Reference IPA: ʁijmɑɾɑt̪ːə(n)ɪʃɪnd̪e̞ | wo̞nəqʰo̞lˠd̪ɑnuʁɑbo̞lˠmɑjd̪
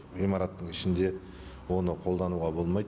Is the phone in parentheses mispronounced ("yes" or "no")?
yes